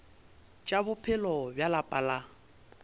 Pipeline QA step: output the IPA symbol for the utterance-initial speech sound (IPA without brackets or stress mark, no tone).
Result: t͡ʃʼ